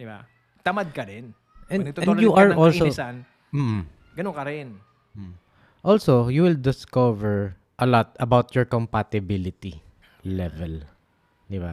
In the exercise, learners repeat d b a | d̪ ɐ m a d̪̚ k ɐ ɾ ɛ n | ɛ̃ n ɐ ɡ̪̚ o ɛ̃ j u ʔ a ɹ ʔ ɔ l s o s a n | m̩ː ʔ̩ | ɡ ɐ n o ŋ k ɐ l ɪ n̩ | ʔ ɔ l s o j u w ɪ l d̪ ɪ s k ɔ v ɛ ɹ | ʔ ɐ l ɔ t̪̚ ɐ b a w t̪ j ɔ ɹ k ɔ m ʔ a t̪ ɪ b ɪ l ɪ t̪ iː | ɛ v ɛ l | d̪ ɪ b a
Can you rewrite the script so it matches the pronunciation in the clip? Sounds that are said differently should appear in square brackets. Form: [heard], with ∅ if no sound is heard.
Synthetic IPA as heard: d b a | [t̪] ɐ m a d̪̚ k ɐ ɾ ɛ n | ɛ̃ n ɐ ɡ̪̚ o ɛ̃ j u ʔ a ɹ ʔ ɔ l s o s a n | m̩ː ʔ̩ | ɡ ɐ n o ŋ k ɐ [ɾ] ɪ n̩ | ʔ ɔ l s o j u w ɪ l d̪ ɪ s k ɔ v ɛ ɹ | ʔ ɐ l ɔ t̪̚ ɐ b a w t̪ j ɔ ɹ k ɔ m [p] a t̪ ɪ b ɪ l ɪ t̪ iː | ɛ v ɛ l | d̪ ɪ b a